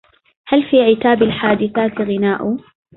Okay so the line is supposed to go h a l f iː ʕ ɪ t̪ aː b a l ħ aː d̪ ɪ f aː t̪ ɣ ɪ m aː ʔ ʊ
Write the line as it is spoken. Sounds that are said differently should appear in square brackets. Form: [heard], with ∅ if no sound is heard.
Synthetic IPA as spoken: h a l f iː ʕ ɪ t̪ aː b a l ħ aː d̪ ɪ [θ] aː t̪ ɣ ɪ [n] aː ʔ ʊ